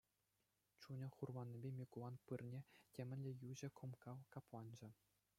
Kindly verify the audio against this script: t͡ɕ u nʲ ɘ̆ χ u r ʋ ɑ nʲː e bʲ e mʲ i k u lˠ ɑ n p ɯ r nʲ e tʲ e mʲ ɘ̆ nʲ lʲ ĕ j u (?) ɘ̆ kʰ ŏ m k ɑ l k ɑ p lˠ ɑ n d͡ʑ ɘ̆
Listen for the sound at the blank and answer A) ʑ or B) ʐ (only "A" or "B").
A